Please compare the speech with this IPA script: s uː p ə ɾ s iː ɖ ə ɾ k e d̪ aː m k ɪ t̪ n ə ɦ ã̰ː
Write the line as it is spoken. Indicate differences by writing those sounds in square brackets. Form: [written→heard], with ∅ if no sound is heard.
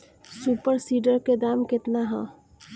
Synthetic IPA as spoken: s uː p ə ɾ s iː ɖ ə ɾ k e d̪ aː m k ɪ t̪ n [ə→a] ɦ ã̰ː